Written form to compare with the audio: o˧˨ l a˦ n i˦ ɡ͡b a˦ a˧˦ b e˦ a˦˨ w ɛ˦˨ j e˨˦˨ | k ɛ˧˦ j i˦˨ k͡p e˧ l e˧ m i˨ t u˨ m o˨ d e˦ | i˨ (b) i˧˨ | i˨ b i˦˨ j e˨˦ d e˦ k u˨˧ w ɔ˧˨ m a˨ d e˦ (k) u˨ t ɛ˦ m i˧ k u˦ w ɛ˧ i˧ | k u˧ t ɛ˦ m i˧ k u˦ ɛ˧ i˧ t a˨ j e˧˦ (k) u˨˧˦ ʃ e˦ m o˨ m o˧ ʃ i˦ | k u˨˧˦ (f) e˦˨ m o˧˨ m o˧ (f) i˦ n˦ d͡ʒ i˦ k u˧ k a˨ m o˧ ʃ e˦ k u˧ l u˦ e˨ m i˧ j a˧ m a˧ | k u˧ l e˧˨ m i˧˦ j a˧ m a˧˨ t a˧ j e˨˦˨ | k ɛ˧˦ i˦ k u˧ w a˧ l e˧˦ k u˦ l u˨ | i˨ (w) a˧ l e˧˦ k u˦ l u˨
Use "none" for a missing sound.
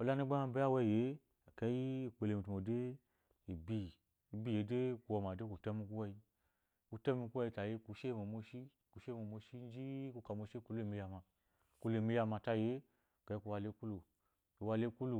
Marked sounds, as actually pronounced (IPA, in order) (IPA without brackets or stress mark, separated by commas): b, k, k, ʃ, ʃ, w